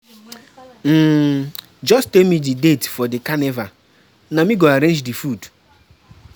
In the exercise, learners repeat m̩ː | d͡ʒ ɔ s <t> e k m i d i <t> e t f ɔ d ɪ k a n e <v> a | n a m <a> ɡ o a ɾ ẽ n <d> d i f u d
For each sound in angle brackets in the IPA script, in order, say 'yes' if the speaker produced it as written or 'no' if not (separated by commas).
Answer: yes, no, yes, no, no